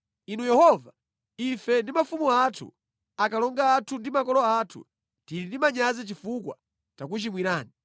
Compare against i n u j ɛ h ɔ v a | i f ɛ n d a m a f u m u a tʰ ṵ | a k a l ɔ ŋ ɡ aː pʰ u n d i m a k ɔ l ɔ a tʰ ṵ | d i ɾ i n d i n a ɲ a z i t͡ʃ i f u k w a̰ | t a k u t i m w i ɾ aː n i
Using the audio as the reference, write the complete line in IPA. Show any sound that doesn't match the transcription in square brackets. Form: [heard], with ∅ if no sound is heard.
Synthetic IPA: i n u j ɛ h ɔ v a | i f ɛ n d [i] m a f u m u a tʰ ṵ | a k a l ɔ ŋ ɡ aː [tʰ] u n d i m a k ɔ l ɔ a tʰ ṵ | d i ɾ i n d i [m] a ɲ a z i t͡ʃ i f u k w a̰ | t a k u [t͡ʃ] i m w i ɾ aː n i